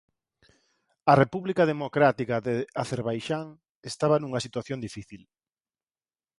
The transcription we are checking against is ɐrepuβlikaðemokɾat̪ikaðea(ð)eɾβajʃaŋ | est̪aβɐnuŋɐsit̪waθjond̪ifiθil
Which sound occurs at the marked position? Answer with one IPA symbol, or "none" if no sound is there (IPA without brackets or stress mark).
θ